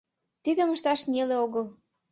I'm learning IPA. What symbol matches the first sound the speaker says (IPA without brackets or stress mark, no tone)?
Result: t̪